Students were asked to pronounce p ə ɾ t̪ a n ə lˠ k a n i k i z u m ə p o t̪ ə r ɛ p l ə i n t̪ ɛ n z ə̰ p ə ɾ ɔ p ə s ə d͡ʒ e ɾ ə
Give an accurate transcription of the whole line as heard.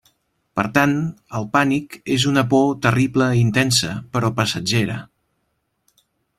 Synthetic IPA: p ə ɾ t̪ a n ə lˠ p a n i k e z u n ə p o t̪ ə r i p l ə i n t̪ ɛ n s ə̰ p ə ɾ ɔ p ə s ə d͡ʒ e ɾ ə